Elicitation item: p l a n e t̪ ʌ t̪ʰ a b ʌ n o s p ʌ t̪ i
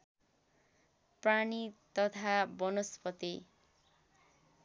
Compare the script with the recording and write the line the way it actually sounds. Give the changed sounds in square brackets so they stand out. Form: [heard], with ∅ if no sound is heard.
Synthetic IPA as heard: p [r] a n [i] t̪ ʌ t̪ʰ a b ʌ n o s p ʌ t̪ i